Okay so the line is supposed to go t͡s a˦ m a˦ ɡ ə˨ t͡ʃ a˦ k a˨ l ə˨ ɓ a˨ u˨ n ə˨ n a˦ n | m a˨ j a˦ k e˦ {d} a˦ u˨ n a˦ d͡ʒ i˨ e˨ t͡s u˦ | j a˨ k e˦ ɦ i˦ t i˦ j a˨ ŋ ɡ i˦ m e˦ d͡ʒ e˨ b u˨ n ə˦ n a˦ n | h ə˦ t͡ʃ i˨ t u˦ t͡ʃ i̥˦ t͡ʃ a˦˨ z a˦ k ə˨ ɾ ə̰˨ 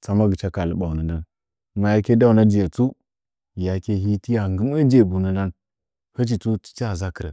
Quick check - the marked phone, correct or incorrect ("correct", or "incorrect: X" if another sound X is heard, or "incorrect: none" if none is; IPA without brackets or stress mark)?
correct